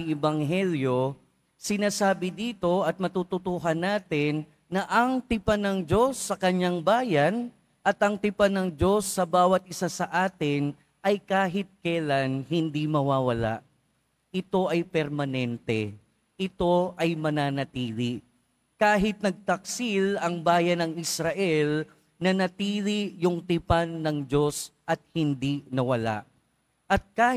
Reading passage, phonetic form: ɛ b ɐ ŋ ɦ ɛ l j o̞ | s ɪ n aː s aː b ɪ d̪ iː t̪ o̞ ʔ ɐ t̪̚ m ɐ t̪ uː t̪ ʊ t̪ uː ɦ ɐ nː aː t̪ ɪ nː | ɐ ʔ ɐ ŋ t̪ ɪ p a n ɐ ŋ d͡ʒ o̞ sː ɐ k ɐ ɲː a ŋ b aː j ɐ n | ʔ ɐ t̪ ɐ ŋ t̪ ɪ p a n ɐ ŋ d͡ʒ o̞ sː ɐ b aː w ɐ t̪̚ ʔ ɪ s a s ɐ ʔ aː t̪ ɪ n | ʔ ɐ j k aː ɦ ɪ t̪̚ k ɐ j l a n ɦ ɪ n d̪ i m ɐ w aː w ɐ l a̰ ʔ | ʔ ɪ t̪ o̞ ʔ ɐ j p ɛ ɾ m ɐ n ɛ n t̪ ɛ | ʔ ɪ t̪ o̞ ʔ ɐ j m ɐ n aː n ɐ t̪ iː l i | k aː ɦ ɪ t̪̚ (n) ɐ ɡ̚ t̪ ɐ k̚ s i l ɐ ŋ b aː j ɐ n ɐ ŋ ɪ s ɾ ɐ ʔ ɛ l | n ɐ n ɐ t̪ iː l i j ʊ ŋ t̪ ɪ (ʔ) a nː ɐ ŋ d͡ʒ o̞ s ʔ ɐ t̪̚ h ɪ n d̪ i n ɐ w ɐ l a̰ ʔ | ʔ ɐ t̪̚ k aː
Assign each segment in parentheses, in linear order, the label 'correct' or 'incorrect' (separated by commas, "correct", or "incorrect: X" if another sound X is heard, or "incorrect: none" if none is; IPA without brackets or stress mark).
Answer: correct, incorrect: p